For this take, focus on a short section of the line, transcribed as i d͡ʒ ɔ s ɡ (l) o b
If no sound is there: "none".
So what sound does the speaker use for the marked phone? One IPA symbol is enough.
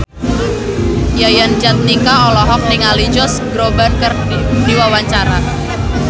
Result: ɾ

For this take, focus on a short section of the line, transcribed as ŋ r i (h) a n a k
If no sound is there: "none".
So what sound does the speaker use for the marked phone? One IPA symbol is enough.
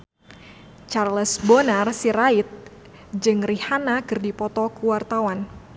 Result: h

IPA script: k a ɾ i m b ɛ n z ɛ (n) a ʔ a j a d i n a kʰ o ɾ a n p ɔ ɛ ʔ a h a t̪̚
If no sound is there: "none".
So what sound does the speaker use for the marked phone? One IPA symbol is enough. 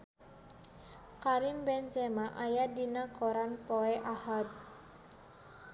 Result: m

